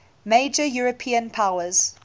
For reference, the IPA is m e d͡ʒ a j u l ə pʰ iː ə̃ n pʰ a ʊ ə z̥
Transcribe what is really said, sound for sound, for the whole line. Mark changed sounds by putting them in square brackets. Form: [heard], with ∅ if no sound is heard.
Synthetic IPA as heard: m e d͡ʒ [ə] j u [ɹ] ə pʰ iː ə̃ n pʰ a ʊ ə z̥